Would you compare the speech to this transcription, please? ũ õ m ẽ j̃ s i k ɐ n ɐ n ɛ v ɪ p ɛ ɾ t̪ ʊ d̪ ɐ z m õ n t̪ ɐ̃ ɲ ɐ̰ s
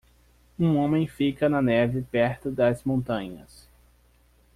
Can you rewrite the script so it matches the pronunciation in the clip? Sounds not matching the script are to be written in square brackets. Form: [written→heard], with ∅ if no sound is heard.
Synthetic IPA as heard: ũ õ m ẽ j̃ [s→f] i k ɐ n ɐ n ɛ v ɪ p ɛ ɾ t̪ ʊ d̪ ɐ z m õ n t̪ ɐ̃ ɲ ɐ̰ s

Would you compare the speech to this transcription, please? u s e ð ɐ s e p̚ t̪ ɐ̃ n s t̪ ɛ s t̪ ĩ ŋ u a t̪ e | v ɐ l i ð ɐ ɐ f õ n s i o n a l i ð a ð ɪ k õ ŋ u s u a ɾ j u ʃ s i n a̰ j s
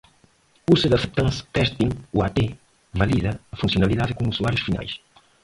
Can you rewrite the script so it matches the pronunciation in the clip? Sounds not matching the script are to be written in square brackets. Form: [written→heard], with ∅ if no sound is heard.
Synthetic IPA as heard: u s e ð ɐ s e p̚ t̪ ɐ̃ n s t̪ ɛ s t̪ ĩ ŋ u a t̪ e | v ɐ l i ð ɐ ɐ f [õ→ũ] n s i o n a l i ð a ð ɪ k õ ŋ u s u a ɾ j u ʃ [s→f] i n a̰ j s

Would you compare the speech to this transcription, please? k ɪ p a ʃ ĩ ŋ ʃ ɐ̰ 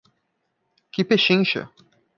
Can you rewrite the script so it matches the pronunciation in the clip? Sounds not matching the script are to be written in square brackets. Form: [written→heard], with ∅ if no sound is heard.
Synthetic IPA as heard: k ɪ p [a→e] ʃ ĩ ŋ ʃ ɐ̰

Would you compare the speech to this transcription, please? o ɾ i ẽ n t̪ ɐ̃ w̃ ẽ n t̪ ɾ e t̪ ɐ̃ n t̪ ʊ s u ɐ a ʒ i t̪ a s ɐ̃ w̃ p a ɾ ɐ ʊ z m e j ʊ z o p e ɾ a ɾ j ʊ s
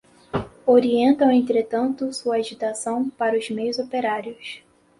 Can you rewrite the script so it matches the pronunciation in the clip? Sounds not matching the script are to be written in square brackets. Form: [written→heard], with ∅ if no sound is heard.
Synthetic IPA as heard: o ɾ i ẽ n t̪ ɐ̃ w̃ ẽ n t̪ ɾ e t̪ ɐ̃ n t̪ ʊ s u ɐ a ʒ i t̪ a s ɐ̃ w̃ p a ɾ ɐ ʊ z m e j ʊ z o p e ɾ a ɾ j ʊ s

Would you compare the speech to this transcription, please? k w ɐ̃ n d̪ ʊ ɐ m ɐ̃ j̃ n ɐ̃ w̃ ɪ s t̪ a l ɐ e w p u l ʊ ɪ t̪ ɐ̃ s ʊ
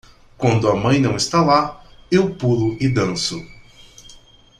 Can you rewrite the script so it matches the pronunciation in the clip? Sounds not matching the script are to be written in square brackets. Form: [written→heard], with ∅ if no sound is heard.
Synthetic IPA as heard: k w ɐ̃ n d̪ ʊ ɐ m ɐ̃ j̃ n ɐ̃ w̃ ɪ s t̪ a l [ɐ→a] e w p u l ʊ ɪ [t̪→d̪] ɐ̃ s ʊ

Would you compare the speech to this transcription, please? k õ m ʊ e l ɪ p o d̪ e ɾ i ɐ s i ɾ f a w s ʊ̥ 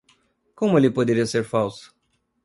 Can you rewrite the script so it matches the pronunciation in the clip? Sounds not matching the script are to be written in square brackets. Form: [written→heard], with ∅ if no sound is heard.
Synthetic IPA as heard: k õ m ʊ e l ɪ p o d̪ e ɾ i ɐ s [i→e] ɾ f a w s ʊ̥

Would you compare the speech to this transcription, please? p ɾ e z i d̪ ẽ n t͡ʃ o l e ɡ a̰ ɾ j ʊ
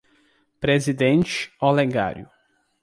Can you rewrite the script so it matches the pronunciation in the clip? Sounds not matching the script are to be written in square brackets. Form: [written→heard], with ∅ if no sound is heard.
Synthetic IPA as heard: p ɾ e z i d̪ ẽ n t͡ʃ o l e ɡ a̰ ɾ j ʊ

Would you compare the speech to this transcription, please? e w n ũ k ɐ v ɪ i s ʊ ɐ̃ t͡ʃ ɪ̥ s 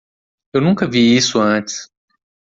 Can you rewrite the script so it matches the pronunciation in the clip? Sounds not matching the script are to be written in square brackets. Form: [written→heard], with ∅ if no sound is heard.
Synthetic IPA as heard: e w n ũ k ɐ v [ɪ→i] i s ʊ ɐ̃ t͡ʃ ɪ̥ s

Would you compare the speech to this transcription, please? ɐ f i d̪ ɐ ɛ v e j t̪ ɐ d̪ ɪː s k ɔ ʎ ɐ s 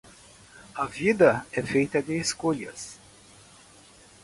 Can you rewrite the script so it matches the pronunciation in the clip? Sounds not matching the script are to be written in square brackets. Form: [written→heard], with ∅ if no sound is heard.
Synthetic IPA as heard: ɐ [f→v] i d̪ ɐ ɛ [v→f] e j t̪ ɐ d̪ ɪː s k [ɔ→o] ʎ ɐ s

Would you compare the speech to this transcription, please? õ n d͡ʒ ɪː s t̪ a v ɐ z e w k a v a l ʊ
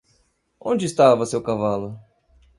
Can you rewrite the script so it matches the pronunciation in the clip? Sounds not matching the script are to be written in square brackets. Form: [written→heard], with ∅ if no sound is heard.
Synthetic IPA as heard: õ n d͡ʒ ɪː s t̪ a v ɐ [z→s] e w k a v a l ʊ

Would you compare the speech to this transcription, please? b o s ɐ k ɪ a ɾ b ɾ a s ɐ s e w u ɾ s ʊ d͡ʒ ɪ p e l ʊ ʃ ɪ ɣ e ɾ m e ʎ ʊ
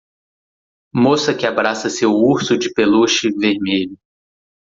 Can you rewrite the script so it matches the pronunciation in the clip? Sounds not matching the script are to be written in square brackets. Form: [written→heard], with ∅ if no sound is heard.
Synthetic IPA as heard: [b→m] o s ɐ k ɪ a [ɾ→∅] b ɾ a s ɐ s e w u ɾ s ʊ d͡ʒ ɪ p e l [ʊ→u] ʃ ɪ [ɣ→v] e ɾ m e ʎ ʊ

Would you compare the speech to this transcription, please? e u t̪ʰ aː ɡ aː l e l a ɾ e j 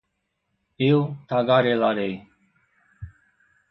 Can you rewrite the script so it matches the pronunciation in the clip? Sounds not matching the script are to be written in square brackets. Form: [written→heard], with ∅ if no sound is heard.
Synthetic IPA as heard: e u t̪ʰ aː ɡ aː [l→ɾ] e l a ɾ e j

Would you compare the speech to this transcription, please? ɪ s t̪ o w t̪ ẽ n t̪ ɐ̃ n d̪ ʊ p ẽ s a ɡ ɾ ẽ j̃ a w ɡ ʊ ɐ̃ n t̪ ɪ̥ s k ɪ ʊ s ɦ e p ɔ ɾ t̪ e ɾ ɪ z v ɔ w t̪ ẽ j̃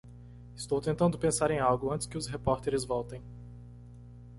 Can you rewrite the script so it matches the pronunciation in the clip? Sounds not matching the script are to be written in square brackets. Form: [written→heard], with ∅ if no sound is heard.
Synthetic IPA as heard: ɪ s t̪ o w t̪ ẽ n t̪ ɐ̃ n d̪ ʊ p ẽ s a [ɡ→∅] ɾ ẽ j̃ a w ɡ ʊ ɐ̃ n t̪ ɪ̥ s k ɪ ʊ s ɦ e p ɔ ɾ t̪ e ɾ ɪ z v ɔ w t̪ ẽ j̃

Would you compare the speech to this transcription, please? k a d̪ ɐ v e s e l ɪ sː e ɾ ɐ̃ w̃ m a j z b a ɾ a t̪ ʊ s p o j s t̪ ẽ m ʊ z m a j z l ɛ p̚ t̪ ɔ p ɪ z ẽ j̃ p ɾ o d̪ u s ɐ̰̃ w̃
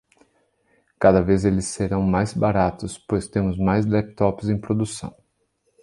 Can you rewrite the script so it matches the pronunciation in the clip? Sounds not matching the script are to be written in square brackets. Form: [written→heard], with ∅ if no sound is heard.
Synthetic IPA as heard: k a d̪ ɐ v e [s→z] e l ɪ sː e ɾ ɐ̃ w̃ m a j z b a ɾ a t̪ ʊ s p o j s t̪ ẽ m ʊ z m a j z l ɛ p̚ t̪ ɔ p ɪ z ẽ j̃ p ɾ o d̪ u s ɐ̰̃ w̃

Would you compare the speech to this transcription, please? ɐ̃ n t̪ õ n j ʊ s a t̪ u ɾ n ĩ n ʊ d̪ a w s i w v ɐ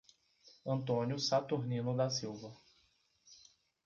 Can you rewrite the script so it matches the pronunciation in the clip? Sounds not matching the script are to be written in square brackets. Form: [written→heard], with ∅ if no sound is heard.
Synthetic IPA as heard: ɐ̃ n t̪ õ n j ʊ s a t̪ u ɾ n ĩ n ʊ d̪ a [w→∅] s i w v ɐ

